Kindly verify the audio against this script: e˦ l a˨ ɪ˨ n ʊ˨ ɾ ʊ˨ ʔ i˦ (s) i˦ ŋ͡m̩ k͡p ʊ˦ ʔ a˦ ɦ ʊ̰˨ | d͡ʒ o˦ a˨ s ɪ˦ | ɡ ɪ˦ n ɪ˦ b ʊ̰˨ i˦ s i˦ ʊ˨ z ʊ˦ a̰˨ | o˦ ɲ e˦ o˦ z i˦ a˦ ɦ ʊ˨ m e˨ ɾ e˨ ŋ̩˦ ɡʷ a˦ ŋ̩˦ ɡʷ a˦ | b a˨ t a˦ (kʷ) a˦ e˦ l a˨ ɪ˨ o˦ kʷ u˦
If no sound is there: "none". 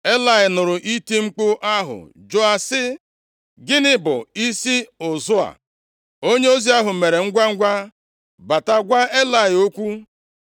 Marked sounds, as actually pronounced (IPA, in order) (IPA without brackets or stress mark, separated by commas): t, ɡʷ